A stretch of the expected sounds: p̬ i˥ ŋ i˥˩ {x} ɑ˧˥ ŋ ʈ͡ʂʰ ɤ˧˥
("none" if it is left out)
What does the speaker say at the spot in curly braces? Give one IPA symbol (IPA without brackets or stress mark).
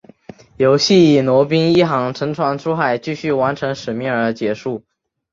x